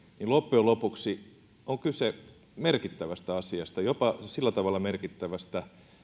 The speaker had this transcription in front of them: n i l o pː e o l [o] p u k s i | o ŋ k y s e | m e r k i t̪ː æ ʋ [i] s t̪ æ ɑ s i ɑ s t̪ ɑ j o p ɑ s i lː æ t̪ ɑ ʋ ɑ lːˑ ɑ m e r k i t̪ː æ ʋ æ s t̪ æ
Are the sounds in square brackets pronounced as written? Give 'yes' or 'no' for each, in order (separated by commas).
yes, no